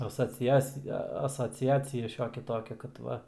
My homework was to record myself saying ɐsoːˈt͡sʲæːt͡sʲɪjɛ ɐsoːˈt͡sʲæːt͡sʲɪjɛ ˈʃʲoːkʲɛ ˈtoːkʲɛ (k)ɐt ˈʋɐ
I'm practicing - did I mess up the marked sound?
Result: no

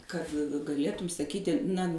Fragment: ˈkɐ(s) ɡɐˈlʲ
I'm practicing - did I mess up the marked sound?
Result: yes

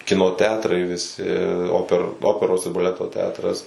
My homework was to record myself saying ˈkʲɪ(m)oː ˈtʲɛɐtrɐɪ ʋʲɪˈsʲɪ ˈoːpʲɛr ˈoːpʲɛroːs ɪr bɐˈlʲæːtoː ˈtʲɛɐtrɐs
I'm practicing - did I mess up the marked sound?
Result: yes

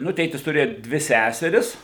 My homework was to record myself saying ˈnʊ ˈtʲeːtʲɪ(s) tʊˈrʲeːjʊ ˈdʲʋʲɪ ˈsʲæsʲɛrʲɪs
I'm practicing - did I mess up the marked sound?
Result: no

